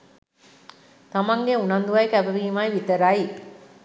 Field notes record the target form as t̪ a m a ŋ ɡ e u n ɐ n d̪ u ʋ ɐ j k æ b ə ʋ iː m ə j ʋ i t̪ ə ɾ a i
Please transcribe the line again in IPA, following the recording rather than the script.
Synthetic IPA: t̪ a m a ŋ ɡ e u n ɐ n d̪ u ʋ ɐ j k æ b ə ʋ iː m a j ʋ i t̪ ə ɾ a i